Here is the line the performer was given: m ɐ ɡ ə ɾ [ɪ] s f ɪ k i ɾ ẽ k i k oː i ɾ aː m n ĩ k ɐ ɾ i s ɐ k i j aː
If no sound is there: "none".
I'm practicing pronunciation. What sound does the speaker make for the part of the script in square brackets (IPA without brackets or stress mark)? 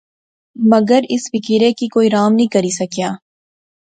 ɪ